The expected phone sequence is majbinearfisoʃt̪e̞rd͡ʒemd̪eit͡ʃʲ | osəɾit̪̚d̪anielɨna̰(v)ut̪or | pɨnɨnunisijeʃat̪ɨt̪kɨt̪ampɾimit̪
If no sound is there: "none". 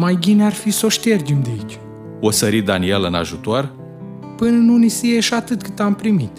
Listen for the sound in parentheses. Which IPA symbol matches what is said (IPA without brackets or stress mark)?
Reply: ʒ